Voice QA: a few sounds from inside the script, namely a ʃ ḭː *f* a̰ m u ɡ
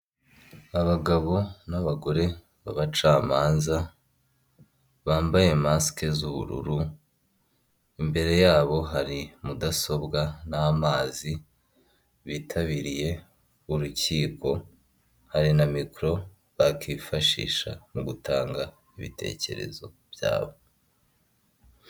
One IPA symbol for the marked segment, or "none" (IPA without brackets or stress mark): ʃ